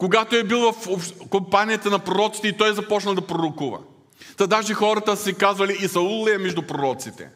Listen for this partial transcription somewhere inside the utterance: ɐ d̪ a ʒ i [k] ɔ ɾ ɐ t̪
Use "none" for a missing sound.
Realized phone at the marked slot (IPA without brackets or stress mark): x